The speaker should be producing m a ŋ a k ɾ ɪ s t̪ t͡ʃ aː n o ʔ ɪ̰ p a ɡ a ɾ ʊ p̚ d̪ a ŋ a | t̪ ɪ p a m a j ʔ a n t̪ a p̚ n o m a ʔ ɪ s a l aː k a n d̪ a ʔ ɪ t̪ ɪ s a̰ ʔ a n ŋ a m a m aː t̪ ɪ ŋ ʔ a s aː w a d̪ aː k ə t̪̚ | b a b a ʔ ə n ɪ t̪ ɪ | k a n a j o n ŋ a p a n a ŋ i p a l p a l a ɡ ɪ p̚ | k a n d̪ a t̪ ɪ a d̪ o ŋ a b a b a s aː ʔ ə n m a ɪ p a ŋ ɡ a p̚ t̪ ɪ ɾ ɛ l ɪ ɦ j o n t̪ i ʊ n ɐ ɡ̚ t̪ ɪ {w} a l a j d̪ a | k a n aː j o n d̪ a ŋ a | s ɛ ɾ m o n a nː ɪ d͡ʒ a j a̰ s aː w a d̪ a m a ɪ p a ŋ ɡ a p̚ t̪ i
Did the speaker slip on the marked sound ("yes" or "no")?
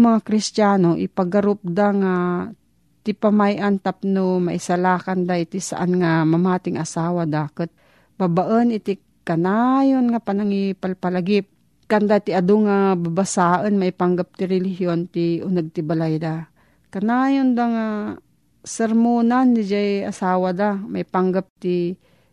yes